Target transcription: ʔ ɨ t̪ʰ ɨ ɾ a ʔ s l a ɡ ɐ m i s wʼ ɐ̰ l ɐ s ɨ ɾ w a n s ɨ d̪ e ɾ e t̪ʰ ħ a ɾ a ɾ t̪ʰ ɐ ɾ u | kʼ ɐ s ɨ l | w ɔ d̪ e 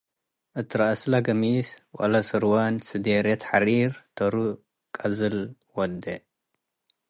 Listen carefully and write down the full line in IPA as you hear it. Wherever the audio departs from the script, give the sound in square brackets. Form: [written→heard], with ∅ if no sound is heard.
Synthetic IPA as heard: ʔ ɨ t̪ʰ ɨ ɾ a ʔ s l a ɡ ɐ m i s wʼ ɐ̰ l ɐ s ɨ ɾ w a n s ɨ d̪ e ɾ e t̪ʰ ħ a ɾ [a→i] ɾ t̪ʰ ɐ ɾ u | kʼ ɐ [s→z] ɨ l | w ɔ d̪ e

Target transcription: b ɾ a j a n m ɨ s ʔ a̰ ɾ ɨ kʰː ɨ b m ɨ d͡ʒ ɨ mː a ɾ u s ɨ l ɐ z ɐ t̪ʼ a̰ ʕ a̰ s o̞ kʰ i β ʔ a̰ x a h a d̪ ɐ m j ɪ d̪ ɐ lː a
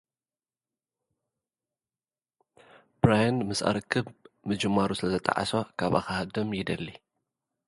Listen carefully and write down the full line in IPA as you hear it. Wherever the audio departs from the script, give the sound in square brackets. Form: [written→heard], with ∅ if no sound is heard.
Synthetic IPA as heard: b ɾ a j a n m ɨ s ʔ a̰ ɾ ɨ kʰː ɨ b m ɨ d͡ʒ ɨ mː a ɾ u s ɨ l ɐ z ɐ t̪ʼ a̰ ʕ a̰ s o̞ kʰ [i→a] β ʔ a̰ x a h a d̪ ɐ m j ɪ d̪ ɐ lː [a→i]

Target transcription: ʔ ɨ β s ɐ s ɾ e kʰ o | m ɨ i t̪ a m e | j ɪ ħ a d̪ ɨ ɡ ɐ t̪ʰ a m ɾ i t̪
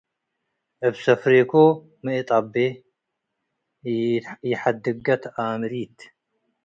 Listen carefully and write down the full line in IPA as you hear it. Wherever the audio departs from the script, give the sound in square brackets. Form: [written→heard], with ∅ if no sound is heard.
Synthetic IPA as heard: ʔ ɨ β s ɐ [s→f] ɾ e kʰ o | m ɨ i [t̪→t̪ʼ] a [m→b] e | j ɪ ħ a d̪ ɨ ɡ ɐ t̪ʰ a m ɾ i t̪

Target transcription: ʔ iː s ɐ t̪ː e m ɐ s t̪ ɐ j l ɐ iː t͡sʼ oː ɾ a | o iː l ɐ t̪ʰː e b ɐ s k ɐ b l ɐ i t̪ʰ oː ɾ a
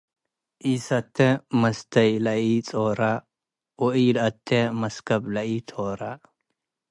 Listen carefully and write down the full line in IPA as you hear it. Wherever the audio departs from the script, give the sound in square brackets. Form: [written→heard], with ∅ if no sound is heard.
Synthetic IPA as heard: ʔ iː s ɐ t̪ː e m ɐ s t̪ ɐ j l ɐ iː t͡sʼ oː ɾ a | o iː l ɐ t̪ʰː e [b→m] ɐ s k ɐ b l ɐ i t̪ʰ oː ɾ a

